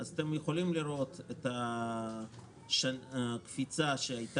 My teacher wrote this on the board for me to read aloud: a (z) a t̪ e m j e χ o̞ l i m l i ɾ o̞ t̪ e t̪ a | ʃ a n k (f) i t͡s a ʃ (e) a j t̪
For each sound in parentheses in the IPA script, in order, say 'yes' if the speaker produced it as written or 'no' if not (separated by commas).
yes, yes, yes